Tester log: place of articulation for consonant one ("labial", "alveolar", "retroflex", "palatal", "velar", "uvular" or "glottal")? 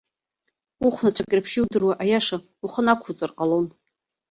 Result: uvular